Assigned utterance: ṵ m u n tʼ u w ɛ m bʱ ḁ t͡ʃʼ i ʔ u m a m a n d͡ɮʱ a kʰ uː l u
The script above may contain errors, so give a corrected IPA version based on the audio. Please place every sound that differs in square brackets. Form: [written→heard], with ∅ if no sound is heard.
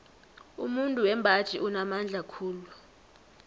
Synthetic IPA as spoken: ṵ m u n tʼ u w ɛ m bʱ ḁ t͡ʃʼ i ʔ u [m→n] a m a n d͡ɮʱ a kʰ uː l u

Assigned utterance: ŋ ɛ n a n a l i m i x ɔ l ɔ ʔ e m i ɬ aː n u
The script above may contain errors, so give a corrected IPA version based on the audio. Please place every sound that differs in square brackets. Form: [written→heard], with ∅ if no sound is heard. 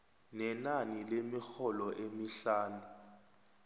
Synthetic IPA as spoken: [ŋ→n] ɛ n a n [a→i] l [i→e] m i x ɔ l ɔ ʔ e m i ɬ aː n u

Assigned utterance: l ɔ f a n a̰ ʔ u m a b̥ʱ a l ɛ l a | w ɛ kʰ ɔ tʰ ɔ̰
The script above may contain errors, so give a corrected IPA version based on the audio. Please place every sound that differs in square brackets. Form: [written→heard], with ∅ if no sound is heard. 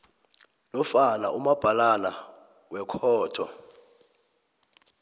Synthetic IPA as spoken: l ɔ f a n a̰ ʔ u m a b̥ʱ a l [ɛ→a] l a | w ɛ kʰ [ɔ→ɔː] tʰ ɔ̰

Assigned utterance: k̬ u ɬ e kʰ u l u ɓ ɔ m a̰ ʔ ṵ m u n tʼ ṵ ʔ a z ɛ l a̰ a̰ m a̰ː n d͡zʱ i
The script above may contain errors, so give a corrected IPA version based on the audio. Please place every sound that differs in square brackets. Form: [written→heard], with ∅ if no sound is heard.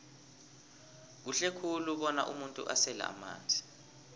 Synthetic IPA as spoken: k̬ u ɬ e kʰ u l u ɓ ɔ [m→n] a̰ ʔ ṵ m u n tʼ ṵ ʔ a [z→s] ɛ l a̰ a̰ m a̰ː n d͡zʱ i

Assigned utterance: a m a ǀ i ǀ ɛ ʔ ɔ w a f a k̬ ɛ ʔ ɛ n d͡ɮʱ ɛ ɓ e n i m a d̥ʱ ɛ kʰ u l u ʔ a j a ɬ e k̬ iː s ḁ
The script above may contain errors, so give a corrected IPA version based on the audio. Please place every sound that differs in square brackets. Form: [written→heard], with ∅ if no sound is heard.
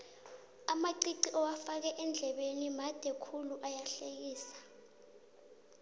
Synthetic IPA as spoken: a m a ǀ i ǀ [ɛ→i] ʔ ɔ w a f a k̬ ɛ ʔ ɛ n d͡ɮʱ ɛ ɓ e n i m a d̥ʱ ɛ kʰ u l u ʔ a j a ɬ e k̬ iː s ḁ

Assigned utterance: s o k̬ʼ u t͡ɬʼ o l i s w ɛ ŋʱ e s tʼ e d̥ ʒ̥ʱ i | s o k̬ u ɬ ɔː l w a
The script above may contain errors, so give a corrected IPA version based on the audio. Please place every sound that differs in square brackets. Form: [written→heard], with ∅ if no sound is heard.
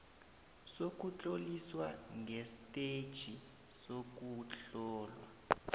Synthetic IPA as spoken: s o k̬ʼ u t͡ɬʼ o l i s w [ɛ→a] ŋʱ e s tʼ e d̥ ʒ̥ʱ i | s o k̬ u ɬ ɔː l w a

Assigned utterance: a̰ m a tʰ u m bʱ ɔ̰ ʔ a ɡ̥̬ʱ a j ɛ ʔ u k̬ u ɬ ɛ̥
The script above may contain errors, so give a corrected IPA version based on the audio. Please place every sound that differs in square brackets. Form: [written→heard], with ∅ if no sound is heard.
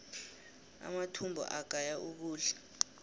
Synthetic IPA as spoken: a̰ m a tʰ u m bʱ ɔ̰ ʔ a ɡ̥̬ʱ a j [ɛ→a] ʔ u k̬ [u→uː] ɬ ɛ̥

